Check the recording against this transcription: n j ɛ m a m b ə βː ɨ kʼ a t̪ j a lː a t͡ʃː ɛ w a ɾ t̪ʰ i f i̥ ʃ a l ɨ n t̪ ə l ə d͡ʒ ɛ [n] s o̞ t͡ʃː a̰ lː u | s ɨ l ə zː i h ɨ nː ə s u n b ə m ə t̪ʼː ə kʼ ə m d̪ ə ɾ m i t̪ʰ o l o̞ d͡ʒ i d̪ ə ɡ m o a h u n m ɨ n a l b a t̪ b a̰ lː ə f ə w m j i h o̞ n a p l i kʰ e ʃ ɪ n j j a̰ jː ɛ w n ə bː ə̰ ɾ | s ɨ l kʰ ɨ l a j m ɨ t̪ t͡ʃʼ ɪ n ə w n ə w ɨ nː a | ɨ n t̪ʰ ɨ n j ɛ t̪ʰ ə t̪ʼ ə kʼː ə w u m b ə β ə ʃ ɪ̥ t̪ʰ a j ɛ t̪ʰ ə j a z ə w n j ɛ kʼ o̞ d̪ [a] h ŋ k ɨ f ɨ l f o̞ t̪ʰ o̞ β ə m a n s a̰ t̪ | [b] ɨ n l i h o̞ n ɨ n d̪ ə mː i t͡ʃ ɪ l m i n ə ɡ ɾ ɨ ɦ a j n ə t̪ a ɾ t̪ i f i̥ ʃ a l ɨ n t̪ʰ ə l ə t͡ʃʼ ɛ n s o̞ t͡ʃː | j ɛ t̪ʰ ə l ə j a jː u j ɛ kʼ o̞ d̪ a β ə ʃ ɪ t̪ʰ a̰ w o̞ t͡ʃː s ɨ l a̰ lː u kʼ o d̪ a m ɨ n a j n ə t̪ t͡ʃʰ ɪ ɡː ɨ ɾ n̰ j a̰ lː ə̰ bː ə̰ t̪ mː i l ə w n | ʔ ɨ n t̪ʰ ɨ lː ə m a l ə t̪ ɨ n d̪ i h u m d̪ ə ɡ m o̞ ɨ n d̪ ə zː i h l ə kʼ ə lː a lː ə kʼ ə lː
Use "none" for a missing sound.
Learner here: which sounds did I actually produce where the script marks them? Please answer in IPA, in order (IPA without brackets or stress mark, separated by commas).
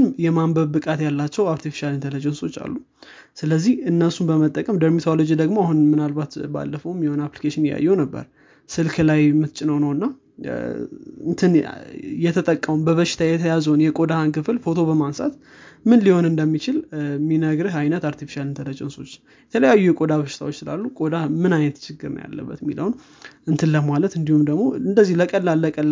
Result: n, a, m